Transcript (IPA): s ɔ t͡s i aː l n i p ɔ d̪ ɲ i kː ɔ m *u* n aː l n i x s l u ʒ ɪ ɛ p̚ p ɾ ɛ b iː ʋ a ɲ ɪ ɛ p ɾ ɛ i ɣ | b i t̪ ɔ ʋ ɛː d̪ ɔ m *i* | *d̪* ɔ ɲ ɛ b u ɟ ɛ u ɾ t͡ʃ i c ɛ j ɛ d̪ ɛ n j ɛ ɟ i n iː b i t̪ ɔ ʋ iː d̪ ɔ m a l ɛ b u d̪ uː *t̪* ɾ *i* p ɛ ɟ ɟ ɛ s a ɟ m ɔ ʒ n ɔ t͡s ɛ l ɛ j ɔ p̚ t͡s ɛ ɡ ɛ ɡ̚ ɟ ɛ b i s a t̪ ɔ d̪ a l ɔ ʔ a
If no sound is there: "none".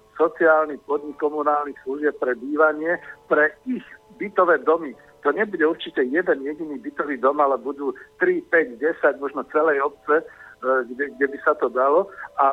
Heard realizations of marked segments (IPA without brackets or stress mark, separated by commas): u, i, t̪, t̪, i